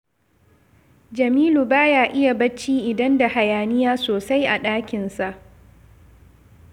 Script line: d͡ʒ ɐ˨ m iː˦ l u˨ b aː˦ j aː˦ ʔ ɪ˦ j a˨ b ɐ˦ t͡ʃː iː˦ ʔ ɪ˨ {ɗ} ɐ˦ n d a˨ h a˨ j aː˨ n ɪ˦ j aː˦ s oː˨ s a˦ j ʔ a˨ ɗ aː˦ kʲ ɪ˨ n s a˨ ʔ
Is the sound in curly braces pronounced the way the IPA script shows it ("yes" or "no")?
no